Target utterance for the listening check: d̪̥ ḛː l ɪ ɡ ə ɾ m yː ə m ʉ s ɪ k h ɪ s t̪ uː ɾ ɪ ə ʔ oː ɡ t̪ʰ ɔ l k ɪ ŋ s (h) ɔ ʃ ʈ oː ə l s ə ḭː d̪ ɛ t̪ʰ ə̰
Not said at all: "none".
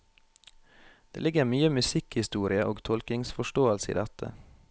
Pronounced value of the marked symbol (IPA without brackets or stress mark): f